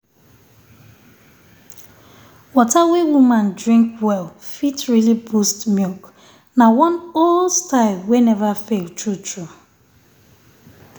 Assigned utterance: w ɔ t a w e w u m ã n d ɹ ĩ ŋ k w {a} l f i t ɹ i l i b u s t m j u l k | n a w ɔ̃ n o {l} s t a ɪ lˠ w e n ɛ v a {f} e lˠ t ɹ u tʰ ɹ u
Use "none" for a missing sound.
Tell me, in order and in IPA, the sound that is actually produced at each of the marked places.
ɛ, l, f

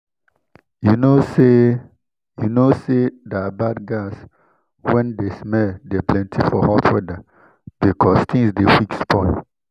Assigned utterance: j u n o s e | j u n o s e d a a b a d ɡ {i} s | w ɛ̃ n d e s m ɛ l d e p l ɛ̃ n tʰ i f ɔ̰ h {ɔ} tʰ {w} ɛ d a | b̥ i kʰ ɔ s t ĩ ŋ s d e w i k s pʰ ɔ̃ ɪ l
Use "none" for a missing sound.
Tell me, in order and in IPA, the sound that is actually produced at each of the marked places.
a, ɔ, w

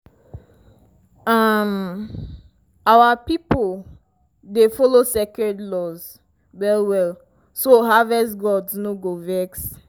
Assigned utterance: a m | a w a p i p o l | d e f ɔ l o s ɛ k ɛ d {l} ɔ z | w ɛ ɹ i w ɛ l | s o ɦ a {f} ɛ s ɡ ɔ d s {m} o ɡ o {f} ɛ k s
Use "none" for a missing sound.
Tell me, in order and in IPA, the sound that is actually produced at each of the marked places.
l, v, n, v

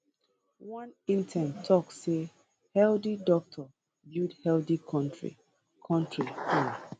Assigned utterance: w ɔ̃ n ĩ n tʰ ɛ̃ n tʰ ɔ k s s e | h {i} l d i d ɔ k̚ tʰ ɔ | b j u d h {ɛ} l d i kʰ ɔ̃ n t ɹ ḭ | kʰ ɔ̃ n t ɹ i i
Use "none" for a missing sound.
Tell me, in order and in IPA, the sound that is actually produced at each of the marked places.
ɛ, ɛ

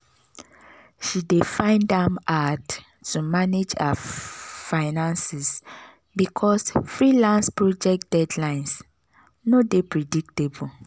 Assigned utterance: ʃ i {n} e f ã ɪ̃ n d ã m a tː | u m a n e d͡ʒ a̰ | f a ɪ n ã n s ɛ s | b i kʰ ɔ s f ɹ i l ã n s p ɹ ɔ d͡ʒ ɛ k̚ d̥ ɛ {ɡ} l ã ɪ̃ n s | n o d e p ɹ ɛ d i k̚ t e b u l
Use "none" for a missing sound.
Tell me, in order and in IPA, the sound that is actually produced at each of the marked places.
d, d

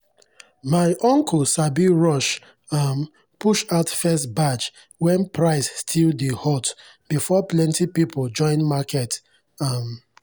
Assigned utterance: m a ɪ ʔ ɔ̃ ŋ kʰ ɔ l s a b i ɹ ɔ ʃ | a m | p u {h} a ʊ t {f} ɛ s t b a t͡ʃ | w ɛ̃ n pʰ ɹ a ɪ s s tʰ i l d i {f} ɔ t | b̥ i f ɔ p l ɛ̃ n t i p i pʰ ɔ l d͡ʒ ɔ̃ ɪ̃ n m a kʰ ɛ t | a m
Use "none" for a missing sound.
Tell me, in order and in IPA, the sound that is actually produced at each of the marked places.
ʃ, f, h

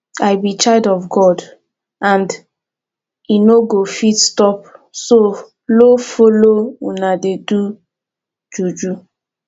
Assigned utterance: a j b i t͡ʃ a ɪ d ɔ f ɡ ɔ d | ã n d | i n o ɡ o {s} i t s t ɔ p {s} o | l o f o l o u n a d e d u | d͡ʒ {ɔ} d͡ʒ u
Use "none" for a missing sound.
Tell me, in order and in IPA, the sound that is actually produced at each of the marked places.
f, s, u

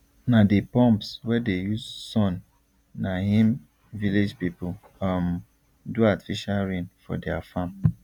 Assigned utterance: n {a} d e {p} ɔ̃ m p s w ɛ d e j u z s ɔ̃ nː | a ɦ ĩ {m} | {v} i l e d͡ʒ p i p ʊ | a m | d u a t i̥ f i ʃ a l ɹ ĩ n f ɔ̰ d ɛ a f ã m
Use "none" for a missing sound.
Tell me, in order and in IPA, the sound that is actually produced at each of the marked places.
a, p, m, v

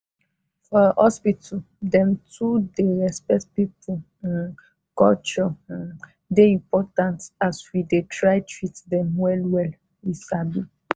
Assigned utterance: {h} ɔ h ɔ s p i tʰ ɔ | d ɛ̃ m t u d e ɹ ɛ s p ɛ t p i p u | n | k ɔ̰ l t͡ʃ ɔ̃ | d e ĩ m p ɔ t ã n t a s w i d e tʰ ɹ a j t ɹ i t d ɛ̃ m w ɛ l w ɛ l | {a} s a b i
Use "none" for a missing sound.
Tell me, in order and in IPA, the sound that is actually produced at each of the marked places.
f, i

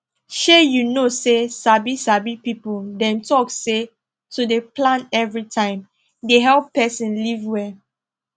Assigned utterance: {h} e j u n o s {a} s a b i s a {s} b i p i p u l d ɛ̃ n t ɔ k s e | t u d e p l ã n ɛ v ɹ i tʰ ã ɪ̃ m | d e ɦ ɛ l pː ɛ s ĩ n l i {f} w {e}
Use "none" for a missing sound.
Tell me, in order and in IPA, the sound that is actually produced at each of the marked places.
ʃ, e, none, v, ɛ

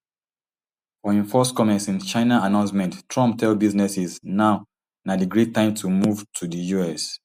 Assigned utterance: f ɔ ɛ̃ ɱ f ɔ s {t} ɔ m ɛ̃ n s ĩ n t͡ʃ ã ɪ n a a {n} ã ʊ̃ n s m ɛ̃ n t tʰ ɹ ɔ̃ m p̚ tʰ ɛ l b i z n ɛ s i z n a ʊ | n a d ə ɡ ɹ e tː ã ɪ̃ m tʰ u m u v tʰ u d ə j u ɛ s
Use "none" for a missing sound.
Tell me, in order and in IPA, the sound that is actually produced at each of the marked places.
k, n

